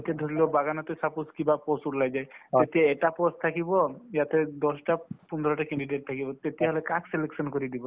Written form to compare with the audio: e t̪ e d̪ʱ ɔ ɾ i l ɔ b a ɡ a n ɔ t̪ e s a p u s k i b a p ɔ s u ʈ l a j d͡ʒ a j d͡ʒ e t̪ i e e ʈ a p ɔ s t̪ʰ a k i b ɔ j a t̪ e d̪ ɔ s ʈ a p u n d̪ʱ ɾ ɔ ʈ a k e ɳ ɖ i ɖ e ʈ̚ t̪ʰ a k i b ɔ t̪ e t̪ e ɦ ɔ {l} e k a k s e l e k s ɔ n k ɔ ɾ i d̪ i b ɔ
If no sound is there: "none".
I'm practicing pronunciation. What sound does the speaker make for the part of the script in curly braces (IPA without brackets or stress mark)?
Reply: l